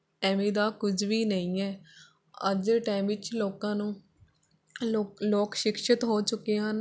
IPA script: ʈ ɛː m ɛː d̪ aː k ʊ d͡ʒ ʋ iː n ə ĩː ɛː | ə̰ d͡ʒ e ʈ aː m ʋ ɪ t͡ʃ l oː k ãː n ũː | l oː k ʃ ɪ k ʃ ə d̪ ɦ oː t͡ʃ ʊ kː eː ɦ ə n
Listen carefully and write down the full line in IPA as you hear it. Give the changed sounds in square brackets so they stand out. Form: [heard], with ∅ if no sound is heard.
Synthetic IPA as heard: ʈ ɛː m [iː] d̪ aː k ʊ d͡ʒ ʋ iː n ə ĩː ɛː | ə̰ d͡ʒ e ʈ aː m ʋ ɪ t͡ʃ l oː k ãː n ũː | l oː k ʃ ɪ k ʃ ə [t̪] ɦ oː t͡ʃ ʊ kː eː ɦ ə n